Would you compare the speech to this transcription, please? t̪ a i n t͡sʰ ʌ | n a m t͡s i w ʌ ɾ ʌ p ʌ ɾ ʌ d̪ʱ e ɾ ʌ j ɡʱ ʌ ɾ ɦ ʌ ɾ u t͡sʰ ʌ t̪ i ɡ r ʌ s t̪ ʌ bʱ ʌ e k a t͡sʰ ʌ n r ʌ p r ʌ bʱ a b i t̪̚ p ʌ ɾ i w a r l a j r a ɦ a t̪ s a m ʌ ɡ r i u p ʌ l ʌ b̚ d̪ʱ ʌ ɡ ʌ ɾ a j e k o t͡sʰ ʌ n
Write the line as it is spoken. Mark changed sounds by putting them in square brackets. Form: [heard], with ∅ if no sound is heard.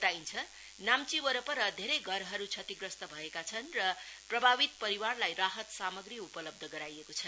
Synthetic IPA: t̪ a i n t͡sʰ ʌ | n a m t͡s i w ʌ ɾ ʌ p ʌ ɾ ʌ d̪ʱ e ɾ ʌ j ɡʱ ʌ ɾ ɦ ʌ ɾ u t͡sʰ ʌ t̪ i ɡ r ʌ s t̪ ʌ bʱ ʌ e k a t͡sʰ ʌ n r ʌ p r ʌ bʱ a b i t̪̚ p ʌ ɾ i w a r l a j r a ɦ [ʌ] t̪ s a m ʌ ɡ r i u p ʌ l ʌ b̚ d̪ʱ ʌ ɡ ʌ ɾ a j e k o t͡sʰ ʌ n

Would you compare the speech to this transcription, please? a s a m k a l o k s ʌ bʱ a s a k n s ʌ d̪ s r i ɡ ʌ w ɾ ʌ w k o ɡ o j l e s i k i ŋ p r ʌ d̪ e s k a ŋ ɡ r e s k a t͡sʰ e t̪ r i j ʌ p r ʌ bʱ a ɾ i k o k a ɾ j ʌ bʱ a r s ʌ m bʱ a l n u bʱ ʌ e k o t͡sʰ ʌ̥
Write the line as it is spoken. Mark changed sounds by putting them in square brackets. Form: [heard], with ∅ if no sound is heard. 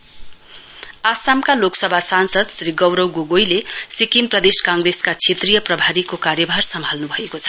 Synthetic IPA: a s a m k a l o k s ʌ bʱ a s a [∅] n s ʌ d̪ s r i ɡ ʌ w ɾ ʌ w [ɡ] o ɡ o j l e s i k i [m] p r ʌ d̪ e s k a ŋ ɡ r e s k a t͡sʰ e t̪ r i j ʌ p r ʌ bʱ a ɾ i k o k a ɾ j ʌ bʱ a r s ʌ m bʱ a l n u bʱ ʌ e k o t͡sʰ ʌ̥

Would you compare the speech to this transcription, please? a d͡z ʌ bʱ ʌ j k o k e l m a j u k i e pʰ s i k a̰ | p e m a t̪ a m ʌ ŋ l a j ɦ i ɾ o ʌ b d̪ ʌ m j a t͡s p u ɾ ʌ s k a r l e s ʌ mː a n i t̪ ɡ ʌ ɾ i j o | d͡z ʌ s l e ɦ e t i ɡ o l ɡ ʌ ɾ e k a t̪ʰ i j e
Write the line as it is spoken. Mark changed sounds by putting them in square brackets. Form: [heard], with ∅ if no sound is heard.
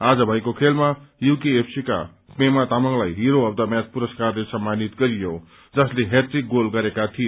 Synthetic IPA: a d͡z ʌ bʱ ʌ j k o [kʰ] e l m a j u k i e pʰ s i k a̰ | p e m a t̪ a m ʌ ŋ l a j ɦ i ɾ o ʌ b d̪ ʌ m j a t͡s p u ɾ ʌ s k a r l e s ʌ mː a n i t̪ ɡ ʌ ɾ i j o | d͡z ʌ s l e ɦ e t i ɡ o l ɡ ʌ ɾ e k a t̪ʰ i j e

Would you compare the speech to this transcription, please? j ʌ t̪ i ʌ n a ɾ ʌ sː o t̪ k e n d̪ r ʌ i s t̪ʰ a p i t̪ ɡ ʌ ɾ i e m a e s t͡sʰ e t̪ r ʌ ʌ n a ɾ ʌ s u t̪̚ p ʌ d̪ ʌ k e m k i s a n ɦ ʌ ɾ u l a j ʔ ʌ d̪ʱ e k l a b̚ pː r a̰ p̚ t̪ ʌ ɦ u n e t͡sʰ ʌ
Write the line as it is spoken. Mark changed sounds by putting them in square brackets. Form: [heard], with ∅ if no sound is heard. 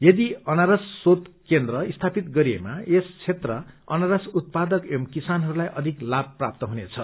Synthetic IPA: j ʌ [d̪] i ʌ n a ɾ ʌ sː o t̪ k e n d̪ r ʌ i s t̪ʰ a p i t̪ ɡ ʌ ɾ i e m a e s t͡sʰ e t̪ r ʌ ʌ n a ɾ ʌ s u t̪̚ p [a] d̪ ʌ k e m k i s a n ɦ ʌ ɾ u l a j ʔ ʌ d̪ʱ [i] k l a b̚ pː r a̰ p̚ t̪ ʌ ɦ u n e t͡sʰ ʌ

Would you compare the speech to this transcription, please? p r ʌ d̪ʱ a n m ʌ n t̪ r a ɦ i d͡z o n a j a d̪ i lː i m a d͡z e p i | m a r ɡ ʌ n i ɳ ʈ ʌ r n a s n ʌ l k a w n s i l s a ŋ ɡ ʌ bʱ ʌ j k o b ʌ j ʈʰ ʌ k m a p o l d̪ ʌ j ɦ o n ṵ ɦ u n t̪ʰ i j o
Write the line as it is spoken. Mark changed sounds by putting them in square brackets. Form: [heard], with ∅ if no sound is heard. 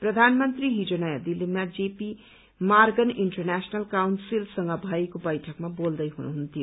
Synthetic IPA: p r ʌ d̪ʱ a n m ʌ n t̪ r [i] ɦ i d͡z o n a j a d̪ i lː i m a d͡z e p i | m a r ɡ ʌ n i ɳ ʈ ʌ r n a s n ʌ l k a w n s i l s [ʌ] ŋ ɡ ʌ bʱ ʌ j k o b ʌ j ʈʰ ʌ k m a [b] o l d̪ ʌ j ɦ [u] n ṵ ɦ u n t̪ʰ i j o

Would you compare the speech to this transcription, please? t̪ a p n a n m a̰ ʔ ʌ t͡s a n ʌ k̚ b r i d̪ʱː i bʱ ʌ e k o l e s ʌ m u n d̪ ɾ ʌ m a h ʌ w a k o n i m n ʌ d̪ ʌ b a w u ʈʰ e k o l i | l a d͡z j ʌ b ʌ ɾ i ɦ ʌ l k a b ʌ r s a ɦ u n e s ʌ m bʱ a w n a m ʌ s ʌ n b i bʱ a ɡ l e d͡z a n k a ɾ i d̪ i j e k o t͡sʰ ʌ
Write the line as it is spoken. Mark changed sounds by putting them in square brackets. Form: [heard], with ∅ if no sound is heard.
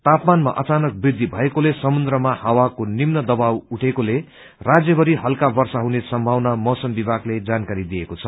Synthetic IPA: t̪ a p [m] a n m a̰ ʔ ʌ t͡s a n ʌ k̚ b r i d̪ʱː i bʱ ʌ e k o l e s ʌ m u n d̪ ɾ ʌ m a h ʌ w a k o n i m n ʌ d̪ ʌ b a w u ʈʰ e k o l [e] | [r] a d͡z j ʌ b ʌ ɾ i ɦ ʌ l k a b ʌ r s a ɦ u n e s ʌ m bʱ a w n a m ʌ s ʌ [m] b i bʱ a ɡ l e d͡z a n k a ɾ i d̪ i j e k o t͡sʰ ʌ

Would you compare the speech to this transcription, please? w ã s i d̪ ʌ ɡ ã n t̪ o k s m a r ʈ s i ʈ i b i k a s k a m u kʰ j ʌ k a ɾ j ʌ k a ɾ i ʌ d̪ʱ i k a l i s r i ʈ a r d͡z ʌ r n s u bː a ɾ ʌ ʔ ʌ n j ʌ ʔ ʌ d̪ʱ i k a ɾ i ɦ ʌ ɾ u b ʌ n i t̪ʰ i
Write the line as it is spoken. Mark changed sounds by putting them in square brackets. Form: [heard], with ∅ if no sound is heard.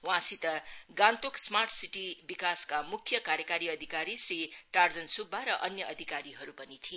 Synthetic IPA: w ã s i [t̪] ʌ ɡ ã n t̪ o k s m a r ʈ s i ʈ i b i k a s k a m u kʰ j ʌ k a ɾ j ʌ k a ɾ i ʌ d̪ʱ i k a [ɾ] i s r i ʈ a r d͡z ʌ [∅] n s u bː a ɾ ʌ ʔ ʌ n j ʌ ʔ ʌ d̪ʱ i k a ɾ i ɦ ʌ ɾ u [p] ʌ n i t̪ʰ i

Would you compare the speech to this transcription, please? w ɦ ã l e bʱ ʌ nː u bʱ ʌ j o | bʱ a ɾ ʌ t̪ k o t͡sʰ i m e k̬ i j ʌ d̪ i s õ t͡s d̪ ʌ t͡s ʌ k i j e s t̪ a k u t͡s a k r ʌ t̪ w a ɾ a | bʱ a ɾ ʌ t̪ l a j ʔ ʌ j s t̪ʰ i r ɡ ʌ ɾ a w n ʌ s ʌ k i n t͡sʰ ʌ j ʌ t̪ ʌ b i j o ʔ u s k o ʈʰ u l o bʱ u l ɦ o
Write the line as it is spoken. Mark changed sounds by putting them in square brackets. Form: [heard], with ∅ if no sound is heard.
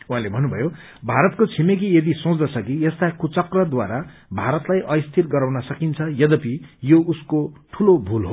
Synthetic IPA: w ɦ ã l e bʱ ʌ nː u bʱ ʌ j o | bʱ a ɾ ʌ t̪ k o t͡sʰ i m e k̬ i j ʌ d̪ i s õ t͡s d̪ ʌ [t͡sʰ] ʌ k i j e s t̪ a k u t͡s [ʌ] k r ʌ [d̪] w a ɾ a | bʱ a ɾ ʌ t̪ l a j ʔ ʌ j s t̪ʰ i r ɡ ʌ ɾ a w n ʌ s ʌ k i n t͡sʰ ʌ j ʌ [d̪] ʌ [p] i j o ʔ u s k o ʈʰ u l o bʱ u l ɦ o

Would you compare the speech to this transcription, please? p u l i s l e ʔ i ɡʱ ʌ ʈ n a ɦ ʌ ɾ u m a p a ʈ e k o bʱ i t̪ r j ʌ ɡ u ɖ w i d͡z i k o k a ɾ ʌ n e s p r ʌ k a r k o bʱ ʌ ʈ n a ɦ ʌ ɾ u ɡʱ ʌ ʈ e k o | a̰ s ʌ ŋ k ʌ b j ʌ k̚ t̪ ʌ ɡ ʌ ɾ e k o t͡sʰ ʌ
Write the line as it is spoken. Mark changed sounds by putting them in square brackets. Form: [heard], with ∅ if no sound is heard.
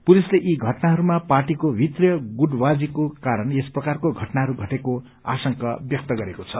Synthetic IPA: p u l i s l e ʔ i ɡʱ ʌ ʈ n a ɦ ʌ ɾ u m a p a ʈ [i] k o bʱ i t̪ r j ʌ ɡ u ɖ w [a] d͡z i k o k a ɾ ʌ n e s p r ʌ k a r k o [ɡʱ] ʌ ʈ n a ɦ ʌ ɾ u ɡʱ ʌ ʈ e k o | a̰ s ʌ ŋ k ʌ b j ʌ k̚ t̪ ʌ ɡ ʌ ɾ e k o t͡sʰ ʌ

